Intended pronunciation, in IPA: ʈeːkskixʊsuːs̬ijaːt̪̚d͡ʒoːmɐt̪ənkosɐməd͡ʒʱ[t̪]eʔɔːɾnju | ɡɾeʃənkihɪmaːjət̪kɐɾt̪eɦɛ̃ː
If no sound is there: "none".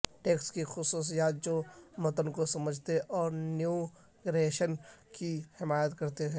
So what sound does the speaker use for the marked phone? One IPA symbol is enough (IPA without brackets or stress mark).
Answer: t̪